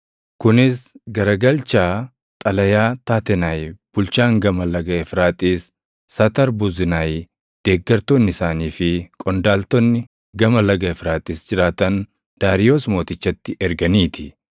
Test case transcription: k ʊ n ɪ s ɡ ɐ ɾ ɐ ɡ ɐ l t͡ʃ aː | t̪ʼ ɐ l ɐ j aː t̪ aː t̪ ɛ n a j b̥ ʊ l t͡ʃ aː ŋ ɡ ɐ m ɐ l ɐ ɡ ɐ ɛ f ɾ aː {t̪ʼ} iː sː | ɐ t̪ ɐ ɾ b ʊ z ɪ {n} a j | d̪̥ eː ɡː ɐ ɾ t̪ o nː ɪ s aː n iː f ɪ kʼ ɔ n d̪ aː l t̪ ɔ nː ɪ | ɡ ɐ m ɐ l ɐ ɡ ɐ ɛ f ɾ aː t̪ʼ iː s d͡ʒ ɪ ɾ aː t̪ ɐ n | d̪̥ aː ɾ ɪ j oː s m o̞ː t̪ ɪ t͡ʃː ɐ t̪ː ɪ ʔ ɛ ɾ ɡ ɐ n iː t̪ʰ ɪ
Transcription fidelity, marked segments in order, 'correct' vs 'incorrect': correct, correct

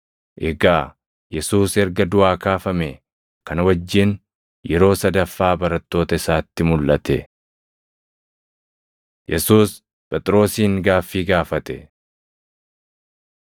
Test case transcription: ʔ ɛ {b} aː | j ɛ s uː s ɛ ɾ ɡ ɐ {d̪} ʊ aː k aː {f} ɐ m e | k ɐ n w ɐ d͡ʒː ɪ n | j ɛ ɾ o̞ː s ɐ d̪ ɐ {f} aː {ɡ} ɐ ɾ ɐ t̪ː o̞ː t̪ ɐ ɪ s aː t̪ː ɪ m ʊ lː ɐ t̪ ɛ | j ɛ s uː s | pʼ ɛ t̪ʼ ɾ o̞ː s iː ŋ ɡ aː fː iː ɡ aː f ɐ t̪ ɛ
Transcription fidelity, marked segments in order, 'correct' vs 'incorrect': incorrect: ɡ, correct, correct, incorrect: fː, incorrect: b

